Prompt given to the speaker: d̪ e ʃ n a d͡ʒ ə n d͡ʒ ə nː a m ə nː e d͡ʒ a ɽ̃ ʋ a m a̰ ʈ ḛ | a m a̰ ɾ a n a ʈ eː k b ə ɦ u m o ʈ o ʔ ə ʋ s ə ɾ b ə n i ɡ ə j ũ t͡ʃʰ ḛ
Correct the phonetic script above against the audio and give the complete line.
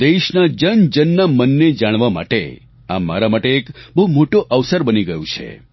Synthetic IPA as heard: d̪ e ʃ n a d͡ʒ ə n d͡ʒ ə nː a m ə nː e d͡ʒ a ɽ̃ ʋ a m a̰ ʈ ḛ | a m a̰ ɾ a m a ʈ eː k b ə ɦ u m o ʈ o ʔ ə ʋ s ə ɾ b ə n i ɡ ə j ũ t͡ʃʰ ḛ

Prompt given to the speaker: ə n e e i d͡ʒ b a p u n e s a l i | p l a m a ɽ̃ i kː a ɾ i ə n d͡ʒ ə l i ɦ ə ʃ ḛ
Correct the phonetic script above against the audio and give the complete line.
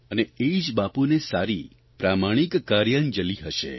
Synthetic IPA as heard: ə n e e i d͡ʒ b a p u n e s a ɾ i | p ɾ a m a ɽ̃ i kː a ɾ j ə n d͡ʒ ə l i ɦ ə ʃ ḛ

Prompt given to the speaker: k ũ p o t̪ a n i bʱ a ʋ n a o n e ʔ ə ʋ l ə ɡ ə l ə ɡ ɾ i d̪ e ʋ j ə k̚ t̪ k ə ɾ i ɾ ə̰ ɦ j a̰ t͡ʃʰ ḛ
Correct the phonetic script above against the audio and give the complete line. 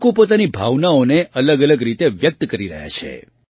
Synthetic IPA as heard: k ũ p o t̪ a n i bʱ a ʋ n a o n e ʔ ə l ə ɡ ə l ə ɡ ɾ i t̪ e ʋ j ə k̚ t̪ k ə ɾ i ɾ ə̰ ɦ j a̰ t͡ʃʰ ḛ

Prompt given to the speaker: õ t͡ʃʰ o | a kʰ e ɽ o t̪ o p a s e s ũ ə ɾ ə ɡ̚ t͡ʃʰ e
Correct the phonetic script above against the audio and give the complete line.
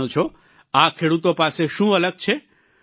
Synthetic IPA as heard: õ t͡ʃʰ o | a kʰ e ɽ u t̪ o p a s e ʃ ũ ə l ə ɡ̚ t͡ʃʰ e

